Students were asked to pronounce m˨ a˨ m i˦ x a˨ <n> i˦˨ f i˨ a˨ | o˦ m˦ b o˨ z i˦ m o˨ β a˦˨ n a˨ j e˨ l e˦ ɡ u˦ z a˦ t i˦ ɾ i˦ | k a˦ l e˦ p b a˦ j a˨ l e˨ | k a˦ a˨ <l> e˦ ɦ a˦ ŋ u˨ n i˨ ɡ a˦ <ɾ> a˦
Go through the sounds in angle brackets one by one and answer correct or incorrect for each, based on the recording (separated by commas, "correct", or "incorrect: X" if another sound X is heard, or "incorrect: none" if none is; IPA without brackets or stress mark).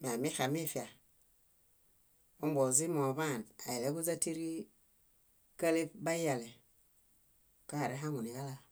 incorrect: m, incorrect: ɾ, incorrect: l